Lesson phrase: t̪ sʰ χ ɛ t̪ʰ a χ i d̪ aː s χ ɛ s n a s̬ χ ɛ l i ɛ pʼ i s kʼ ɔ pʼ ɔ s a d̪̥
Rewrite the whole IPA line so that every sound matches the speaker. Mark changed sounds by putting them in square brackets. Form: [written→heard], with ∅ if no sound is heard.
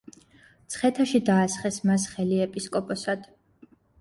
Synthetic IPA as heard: t̪ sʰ χ ɛ t̪ʰ a [χ→ʃ] i d̪ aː s χ ɛ s [n→m] a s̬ χ ɛ l i ɛ pʼ i s kʼ ɔ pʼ ɔ s a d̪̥